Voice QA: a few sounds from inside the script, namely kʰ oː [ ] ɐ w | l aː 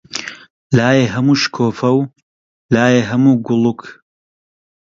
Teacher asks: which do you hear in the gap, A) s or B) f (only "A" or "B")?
B